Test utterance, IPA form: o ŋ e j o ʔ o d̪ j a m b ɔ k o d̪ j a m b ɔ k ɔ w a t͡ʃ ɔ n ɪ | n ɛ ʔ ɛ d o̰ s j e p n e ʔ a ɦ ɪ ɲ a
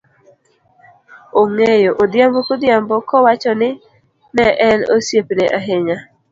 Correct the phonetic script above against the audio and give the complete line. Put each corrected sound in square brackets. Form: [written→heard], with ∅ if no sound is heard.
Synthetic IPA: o ŋ e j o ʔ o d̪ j a m b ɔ k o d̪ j a m b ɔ k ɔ w a t͡ʃ ɔ n ɪ | n ɛ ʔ ɛ [d→n] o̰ s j e p n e ʔ a ɦ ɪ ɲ a